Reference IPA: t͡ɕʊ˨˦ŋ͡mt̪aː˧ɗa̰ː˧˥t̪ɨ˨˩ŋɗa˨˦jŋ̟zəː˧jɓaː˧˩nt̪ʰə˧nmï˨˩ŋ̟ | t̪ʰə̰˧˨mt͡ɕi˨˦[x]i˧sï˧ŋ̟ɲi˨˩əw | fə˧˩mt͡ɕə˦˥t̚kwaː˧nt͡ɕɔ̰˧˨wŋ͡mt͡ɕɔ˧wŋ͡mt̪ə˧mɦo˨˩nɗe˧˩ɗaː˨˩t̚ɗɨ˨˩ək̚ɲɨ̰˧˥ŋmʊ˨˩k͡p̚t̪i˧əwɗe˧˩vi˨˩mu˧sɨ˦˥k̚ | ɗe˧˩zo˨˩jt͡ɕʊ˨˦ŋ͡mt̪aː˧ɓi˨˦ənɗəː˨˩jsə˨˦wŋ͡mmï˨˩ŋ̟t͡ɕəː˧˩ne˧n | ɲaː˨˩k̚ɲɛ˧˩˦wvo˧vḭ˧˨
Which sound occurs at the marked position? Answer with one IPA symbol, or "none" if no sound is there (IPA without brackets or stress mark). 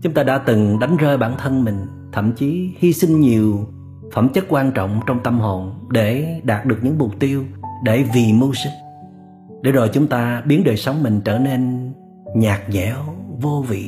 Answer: h